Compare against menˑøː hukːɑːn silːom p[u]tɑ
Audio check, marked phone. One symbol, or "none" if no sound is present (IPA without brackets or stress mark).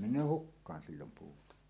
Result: uː